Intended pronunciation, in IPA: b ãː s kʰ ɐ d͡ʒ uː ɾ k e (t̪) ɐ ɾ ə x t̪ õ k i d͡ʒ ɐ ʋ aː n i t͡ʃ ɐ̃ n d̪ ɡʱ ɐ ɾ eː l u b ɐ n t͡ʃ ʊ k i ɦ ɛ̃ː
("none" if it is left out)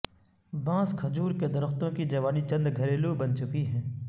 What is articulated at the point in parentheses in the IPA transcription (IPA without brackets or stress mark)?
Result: d̪